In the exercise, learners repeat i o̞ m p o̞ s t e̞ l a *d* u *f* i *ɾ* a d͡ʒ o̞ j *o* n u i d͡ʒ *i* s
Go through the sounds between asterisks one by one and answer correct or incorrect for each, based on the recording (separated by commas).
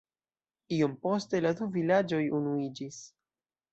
correct, incorrect, incorrect, incorrect, correct